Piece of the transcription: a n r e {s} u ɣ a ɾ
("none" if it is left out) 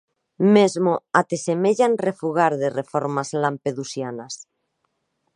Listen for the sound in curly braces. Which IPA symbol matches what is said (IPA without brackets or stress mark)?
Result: f